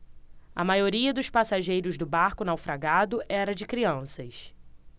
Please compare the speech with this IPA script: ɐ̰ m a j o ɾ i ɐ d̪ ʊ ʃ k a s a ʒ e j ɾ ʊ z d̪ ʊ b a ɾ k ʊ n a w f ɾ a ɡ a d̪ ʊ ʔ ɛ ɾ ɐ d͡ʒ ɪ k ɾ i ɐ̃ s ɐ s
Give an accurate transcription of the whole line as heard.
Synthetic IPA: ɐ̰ m a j o ɾ i ɐ d̪ ʊ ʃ p a s a ʒ e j ɾ ʊ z d̪ ʊ b a ɾ k ʊ n a w f ɾ a ɡ a d̪ ʊ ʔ ɛ ɾ ɐ d͡ʒ ɪ k ɾ i ɐ̃ s ɐ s